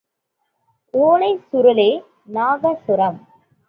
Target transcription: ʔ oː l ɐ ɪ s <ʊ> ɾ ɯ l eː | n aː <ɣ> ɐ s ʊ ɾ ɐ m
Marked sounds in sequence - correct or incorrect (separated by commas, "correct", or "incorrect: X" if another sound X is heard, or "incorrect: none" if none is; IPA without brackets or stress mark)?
correct, correct